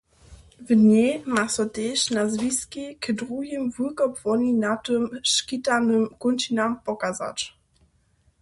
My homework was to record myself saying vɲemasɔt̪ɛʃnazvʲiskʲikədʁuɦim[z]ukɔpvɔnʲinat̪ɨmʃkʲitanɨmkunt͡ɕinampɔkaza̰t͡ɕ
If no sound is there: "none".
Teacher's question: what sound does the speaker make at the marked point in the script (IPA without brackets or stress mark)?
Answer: v